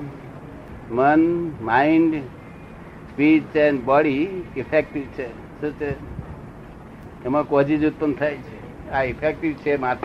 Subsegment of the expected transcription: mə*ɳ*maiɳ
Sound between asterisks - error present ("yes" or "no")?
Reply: yes